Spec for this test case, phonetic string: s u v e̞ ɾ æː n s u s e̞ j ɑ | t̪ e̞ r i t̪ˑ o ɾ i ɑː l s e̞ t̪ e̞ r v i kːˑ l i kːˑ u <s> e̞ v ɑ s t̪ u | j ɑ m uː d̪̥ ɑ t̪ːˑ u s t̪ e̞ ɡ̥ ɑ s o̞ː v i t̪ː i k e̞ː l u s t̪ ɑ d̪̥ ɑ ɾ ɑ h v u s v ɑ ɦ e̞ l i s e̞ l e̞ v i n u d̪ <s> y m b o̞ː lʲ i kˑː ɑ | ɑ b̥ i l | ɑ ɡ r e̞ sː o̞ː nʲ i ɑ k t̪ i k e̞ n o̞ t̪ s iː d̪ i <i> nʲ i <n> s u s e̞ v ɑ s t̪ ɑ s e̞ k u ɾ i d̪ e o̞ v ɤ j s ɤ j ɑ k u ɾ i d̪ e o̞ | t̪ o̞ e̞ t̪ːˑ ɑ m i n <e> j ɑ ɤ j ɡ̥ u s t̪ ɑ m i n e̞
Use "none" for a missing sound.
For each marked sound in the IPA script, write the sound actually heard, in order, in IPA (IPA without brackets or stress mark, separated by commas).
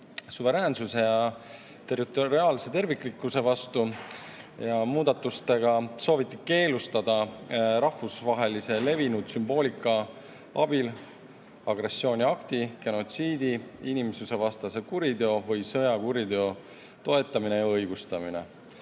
s, s, i, m, e